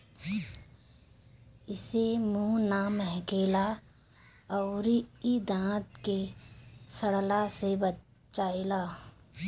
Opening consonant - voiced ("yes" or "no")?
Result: no